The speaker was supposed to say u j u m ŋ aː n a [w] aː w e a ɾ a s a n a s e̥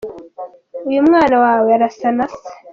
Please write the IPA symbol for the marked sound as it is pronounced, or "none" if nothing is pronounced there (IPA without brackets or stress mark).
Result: w